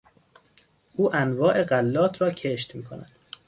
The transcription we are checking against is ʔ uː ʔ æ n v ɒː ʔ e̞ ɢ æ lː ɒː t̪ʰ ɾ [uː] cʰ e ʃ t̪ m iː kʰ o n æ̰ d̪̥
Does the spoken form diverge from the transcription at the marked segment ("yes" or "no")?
yes